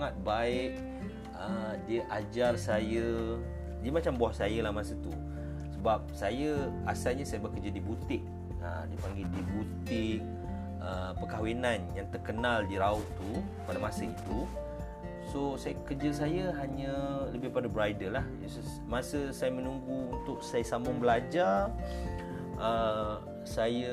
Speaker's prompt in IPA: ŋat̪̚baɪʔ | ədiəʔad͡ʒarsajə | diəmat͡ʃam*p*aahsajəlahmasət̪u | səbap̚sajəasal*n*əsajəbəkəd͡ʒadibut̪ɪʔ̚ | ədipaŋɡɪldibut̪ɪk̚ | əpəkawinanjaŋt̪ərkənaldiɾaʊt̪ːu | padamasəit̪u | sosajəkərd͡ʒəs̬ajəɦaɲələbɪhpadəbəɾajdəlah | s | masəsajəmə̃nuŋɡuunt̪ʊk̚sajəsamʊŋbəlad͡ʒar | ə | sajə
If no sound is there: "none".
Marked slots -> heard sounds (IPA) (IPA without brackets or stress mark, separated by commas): b, ɲ